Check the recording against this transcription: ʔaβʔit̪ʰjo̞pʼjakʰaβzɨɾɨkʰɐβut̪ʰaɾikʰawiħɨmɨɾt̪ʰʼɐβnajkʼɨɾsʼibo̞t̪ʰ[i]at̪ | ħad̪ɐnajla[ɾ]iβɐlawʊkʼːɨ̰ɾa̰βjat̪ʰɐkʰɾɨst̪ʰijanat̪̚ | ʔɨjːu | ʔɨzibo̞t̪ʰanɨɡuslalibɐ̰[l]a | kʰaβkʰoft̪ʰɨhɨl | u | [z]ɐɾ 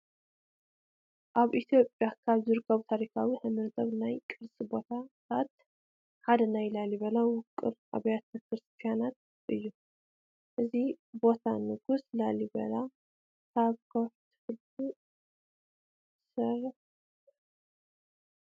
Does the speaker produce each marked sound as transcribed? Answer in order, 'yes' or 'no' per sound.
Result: no, no, yes, no

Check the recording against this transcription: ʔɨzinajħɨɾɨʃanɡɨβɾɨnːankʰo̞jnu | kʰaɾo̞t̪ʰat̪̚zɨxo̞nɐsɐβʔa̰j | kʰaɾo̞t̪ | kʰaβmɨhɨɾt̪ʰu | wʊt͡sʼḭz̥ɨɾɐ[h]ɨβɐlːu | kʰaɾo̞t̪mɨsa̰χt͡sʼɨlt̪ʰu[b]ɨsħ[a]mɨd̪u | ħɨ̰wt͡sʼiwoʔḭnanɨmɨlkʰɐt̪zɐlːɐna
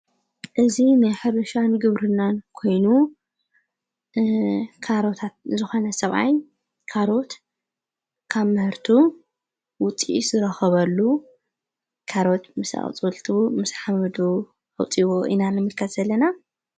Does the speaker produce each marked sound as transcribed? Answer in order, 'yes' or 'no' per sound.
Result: no, no, yes

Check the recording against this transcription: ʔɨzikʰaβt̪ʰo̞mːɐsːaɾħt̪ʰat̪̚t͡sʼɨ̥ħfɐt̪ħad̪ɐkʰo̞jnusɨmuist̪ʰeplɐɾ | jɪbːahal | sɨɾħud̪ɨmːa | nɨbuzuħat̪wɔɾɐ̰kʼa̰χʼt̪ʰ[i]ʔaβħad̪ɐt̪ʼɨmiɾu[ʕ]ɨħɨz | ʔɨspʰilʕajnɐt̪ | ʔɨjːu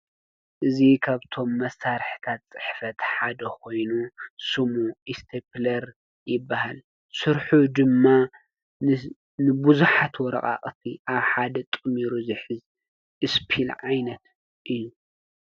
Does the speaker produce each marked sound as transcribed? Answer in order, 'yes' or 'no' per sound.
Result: yes, no

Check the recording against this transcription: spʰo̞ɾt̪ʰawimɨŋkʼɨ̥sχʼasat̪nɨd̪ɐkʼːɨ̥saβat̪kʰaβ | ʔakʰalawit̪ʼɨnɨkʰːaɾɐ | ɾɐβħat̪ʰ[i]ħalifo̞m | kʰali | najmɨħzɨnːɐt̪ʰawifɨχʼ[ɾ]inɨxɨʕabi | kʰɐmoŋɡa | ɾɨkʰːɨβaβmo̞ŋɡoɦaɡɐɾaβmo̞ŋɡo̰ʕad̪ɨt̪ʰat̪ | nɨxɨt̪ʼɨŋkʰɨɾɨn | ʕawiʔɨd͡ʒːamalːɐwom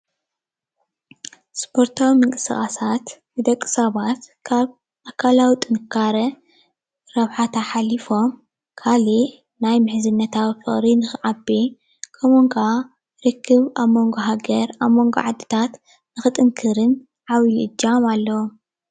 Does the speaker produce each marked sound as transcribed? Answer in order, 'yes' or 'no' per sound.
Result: no, yes

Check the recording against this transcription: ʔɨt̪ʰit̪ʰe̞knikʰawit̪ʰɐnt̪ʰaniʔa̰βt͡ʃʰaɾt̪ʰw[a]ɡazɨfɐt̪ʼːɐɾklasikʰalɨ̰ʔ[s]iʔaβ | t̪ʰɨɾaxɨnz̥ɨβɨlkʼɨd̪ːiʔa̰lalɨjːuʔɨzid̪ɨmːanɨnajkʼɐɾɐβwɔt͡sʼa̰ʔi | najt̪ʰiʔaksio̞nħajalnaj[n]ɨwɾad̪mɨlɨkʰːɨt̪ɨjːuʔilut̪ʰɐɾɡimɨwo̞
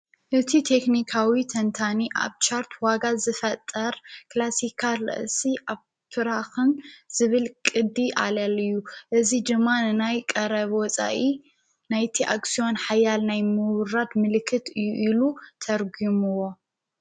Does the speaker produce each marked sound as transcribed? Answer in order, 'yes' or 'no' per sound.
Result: yes, yes, no

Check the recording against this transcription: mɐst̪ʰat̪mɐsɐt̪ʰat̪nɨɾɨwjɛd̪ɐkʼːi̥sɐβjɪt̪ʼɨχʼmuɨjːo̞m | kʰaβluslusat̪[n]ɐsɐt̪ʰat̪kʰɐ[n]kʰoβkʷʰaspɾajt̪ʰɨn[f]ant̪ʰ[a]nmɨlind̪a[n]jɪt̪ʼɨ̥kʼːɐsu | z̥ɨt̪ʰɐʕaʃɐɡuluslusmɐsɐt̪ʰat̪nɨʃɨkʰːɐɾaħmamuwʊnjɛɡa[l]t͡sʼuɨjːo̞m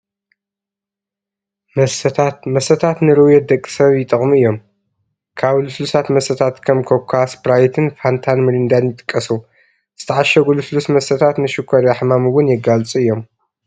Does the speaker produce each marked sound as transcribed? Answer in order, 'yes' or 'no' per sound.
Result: no, no, yes, yes, yes, yes

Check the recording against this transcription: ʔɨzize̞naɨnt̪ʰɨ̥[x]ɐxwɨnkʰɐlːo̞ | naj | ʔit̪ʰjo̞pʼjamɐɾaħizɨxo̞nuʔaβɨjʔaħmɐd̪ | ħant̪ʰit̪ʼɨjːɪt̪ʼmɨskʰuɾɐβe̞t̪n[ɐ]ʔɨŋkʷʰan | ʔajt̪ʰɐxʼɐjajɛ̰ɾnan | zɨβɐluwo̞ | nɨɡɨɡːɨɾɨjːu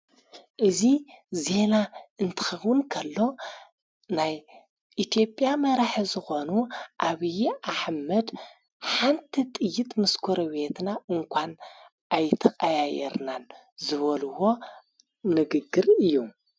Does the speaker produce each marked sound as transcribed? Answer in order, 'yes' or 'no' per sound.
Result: yes, no

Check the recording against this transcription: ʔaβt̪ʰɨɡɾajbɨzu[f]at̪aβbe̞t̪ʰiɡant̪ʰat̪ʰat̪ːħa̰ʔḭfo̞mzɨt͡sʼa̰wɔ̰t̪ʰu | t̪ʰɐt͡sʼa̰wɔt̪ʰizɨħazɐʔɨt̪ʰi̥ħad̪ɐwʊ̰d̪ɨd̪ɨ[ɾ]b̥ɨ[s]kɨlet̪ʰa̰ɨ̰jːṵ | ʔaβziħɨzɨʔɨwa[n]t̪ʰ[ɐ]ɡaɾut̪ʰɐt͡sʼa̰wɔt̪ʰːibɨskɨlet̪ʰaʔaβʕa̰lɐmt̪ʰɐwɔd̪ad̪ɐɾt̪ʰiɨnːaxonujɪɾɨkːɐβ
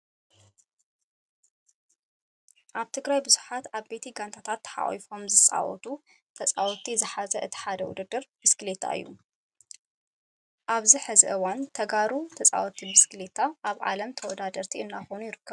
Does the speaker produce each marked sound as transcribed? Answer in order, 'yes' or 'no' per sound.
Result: no, yes, yes, yes, yes

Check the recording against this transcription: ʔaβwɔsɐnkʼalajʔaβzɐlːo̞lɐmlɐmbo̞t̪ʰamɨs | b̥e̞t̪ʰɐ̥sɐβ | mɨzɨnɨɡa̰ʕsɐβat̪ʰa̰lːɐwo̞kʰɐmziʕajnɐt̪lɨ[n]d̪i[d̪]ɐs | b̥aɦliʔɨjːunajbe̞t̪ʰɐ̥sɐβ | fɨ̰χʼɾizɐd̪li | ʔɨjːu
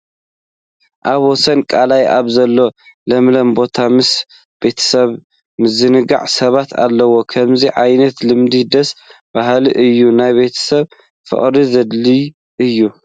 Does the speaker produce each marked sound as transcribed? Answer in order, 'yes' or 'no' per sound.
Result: no, yes

